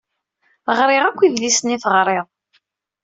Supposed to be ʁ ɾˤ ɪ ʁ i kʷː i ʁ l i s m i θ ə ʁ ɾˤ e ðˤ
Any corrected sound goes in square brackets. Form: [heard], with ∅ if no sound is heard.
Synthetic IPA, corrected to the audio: ʁ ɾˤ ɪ ʁ [æ] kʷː i [ð] l i s [n] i θ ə ʁ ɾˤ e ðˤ